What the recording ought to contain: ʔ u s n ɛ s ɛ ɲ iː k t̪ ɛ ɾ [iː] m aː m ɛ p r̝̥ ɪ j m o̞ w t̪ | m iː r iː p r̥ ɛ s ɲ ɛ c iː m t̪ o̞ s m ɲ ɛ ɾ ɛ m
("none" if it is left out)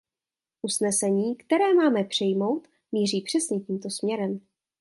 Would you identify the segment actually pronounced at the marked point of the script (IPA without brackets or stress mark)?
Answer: ɛː